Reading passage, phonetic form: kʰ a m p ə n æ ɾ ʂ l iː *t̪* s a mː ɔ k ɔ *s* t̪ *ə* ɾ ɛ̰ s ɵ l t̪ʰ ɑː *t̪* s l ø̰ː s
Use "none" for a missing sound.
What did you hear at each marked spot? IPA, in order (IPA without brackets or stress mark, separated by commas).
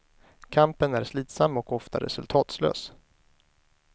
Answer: t̪, f, a, t̪